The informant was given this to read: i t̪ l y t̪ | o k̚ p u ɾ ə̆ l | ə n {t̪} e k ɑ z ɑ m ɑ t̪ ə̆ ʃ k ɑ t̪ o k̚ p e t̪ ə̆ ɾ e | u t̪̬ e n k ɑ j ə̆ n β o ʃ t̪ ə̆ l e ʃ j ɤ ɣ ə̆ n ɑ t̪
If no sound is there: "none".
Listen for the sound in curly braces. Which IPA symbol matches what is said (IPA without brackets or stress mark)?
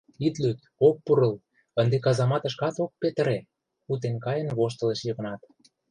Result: d̪